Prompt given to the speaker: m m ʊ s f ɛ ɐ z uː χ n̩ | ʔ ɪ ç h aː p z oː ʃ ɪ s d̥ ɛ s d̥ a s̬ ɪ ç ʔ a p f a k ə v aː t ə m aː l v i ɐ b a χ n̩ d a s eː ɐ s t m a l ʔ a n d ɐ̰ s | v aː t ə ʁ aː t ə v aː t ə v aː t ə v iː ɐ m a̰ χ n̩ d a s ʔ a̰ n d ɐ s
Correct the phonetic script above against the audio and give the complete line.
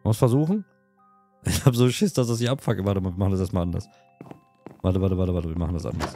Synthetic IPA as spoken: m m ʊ s f ɛ ɐ z uː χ n̩ | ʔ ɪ ç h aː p z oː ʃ ɪ s d̥ a s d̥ a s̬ ɪ ç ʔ a p f a k ə v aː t ə m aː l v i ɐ m a χ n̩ d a s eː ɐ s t m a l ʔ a n d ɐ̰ s | v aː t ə v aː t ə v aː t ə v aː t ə v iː ɐ m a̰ χ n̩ d a s ʔ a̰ n d ɐ s